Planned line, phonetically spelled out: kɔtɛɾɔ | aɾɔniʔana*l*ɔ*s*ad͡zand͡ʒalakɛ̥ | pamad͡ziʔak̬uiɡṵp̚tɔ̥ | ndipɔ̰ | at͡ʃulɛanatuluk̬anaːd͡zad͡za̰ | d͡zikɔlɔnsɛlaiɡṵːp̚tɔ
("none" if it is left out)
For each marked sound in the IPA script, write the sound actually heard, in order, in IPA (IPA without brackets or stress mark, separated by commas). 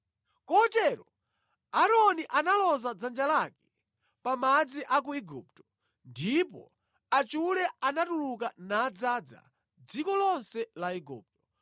l, z